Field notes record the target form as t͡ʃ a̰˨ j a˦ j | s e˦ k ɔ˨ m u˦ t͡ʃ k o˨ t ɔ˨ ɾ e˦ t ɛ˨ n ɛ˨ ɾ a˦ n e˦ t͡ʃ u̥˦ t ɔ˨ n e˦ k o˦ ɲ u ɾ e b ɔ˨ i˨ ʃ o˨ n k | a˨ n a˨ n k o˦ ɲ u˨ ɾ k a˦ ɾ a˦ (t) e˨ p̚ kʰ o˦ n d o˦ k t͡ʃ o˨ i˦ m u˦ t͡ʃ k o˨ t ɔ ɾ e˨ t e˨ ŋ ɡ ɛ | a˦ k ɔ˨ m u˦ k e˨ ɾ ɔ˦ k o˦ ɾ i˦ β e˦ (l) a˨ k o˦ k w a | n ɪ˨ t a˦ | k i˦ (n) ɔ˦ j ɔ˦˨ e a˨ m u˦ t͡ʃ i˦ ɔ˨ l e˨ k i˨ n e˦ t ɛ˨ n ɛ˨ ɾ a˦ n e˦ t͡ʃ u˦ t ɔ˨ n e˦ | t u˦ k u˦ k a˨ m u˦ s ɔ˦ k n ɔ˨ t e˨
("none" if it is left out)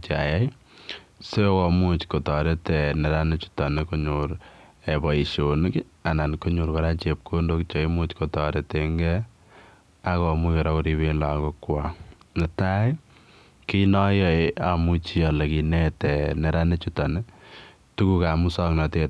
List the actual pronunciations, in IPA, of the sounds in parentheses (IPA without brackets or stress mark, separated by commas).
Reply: t͡ʃ, l, n